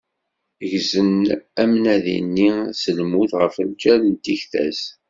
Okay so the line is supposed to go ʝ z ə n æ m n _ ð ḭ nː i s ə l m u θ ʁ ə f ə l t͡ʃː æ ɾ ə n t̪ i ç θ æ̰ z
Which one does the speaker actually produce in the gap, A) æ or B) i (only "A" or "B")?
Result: A